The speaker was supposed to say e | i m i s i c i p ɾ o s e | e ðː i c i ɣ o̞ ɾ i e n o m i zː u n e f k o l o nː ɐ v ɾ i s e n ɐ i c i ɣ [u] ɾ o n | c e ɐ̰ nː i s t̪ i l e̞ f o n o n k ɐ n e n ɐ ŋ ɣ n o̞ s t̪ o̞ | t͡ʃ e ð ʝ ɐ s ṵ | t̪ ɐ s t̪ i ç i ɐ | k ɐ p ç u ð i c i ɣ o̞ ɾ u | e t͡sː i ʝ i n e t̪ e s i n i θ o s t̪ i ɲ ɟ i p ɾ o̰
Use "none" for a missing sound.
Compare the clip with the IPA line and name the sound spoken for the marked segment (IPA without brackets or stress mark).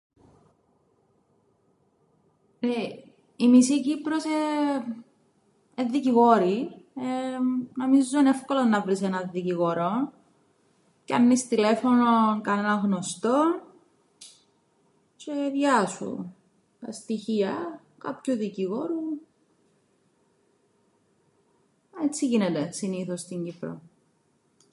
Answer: o